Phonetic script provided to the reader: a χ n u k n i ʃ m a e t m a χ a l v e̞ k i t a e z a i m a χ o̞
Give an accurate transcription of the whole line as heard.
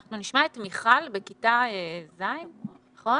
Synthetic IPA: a χ n u n i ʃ m a e t m i χ a l b e̞ k i t a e z a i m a χ o̞